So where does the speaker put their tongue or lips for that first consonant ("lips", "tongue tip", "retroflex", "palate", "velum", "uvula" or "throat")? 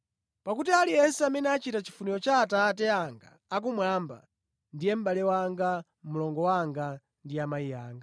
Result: lips